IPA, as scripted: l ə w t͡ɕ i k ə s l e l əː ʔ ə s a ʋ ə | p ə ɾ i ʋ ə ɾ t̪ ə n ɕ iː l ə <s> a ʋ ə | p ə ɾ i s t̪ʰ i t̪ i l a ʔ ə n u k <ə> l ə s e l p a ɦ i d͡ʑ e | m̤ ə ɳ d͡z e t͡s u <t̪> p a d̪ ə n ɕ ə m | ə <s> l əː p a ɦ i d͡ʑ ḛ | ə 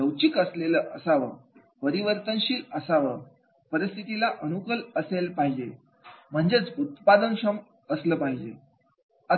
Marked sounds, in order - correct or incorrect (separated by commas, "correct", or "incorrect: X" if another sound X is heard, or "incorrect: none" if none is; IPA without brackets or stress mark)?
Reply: correct, correct, correct, correct